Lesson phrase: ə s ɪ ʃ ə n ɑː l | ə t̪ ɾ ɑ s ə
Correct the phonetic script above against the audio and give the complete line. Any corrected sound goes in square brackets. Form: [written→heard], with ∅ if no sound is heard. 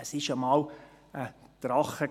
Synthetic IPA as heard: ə s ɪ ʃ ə [n→m] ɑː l | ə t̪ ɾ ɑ [s→χ] ə